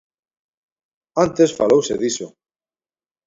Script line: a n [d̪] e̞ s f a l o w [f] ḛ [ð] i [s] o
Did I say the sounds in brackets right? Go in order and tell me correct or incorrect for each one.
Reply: incorrect: t̪, incorrect: s, correct, correct

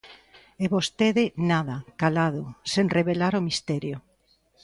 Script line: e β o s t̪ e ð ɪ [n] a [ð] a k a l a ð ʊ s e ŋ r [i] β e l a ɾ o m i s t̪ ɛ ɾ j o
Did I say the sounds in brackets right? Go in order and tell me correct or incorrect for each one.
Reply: correct, correct, incorrect: e

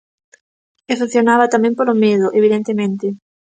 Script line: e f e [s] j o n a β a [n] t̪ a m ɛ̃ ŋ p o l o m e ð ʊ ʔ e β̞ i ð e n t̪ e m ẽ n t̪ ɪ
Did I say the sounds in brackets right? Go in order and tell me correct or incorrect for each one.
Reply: incorrect: θ, incorrect: none

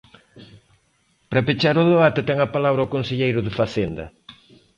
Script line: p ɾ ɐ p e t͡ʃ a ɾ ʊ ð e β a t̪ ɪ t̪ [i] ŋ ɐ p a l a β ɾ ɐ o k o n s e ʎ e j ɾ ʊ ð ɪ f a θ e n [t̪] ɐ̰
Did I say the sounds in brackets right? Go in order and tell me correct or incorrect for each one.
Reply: incorrect: ɛ, incorrect: d̪

